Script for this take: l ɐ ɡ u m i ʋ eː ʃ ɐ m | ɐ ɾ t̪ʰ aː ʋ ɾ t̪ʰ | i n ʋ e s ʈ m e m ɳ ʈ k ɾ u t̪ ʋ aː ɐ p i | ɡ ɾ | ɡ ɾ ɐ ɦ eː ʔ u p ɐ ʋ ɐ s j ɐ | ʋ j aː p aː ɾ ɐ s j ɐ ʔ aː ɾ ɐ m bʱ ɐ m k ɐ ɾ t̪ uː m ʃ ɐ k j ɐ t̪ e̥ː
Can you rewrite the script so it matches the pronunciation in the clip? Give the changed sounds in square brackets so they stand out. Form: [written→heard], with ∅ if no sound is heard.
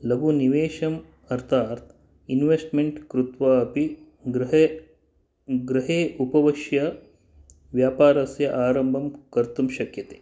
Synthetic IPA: l ɐ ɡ u [m→n] i ʋ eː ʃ ɐ m | ɐ ɾ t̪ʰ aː [ʋ→∅] ɾ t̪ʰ | i n ʋ e s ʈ m e [m→∅] ɳ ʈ k ɾ u t̪ ʋ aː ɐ p i | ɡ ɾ | ɡ ɾ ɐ ɦ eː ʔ u p ɐ ʋ ɐ [s→ʃ] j ɐ | ʋ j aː p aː ɾ ɐ s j ɐ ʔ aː ɾ ɐ m bʱ ɐ m k ɐ ɾ t̪ [uː→u] m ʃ ɐ k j ɐ t̪ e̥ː